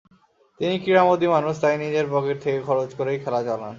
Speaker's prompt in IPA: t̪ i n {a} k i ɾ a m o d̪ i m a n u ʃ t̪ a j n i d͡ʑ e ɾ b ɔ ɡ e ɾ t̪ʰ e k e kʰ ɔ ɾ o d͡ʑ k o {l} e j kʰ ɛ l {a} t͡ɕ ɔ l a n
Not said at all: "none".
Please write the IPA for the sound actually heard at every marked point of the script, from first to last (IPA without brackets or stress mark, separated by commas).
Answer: i, ɾ, a